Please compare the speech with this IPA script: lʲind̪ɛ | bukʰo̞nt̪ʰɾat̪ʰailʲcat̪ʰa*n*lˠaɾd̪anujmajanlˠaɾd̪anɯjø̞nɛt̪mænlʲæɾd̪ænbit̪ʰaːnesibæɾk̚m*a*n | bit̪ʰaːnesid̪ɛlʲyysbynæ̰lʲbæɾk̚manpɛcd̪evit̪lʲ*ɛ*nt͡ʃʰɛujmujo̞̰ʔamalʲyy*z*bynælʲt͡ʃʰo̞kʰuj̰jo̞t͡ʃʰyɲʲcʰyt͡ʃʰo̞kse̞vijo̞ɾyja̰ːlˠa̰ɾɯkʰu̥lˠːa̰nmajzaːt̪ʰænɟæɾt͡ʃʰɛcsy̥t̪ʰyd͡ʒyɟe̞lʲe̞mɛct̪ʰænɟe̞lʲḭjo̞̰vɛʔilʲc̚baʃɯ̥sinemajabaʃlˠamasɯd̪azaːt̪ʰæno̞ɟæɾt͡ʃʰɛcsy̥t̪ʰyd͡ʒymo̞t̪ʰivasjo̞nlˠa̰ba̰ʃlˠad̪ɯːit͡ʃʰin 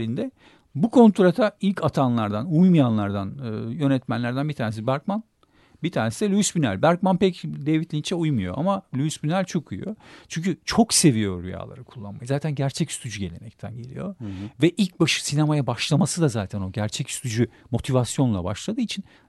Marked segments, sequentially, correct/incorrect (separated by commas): correct, correct, incorrect, incorrect